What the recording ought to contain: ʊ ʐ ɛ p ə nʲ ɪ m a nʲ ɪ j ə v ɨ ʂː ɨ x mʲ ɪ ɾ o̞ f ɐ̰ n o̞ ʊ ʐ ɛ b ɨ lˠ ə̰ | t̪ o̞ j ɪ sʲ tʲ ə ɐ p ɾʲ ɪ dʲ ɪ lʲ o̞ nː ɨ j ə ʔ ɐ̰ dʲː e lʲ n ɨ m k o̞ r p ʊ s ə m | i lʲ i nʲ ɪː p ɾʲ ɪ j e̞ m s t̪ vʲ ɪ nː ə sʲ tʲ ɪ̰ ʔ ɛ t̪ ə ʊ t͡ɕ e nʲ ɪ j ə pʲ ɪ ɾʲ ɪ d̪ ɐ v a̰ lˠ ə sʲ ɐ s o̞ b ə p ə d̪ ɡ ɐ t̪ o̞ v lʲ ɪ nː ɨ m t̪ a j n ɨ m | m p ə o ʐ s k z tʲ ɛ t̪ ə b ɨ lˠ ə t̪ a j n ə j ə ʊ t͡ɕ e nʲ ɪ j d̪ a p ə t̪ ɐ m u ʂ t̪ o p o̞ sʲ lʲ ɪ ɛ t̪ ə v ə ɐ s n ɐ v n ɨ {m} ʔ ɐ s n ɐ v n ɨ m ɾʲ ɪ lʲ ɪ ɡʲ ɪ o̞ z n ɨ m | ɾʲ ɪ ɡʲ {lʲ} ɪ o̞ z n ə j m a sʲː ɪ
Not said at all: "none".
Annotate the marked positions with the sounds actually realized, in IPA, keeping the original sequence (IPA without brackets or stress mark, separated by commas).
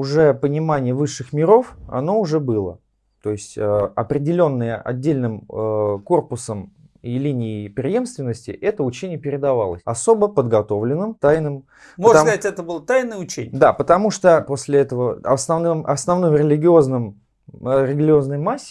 m, lʲ